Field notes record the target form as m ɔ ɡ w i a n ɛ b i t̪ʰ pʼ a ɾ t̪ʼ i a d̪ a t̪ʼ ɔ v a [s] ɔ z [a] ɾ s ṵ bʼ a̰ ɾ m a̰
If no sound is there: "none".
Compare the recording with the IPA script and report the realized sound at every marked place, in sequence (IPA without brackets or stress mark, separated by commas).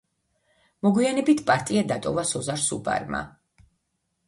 s, a